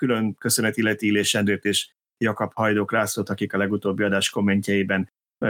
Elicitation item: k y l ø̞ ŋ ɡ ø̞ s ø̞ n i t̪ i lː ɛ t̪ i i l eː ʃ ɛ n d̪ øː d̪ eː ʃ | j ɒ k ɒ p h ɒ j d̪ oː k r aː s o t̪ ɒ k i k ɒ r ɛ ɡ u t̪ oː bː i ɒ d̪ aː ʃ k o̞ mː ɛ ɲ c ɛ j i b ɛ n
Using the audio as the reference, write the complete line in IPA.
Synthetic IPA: k y l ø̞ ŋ k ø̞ s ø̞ n ɛ t̪ i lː ɛ t̪ i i l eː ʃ ɛ n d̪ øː t̪ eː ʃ | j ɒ k ɒ p h ɒ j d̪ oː k r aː s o t̪ ɒ k i k ɒ l ɛ ɡ u t̪ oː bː i ɒ d̪ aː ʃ k o̞ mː ɛ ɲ c ɛ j i b ɛ n